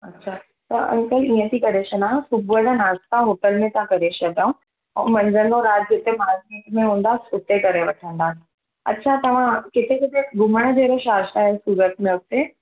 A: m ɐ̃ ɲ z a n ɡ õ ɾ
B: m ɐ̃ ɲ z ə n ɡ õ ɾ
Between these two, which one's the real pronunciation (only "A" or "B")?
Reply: B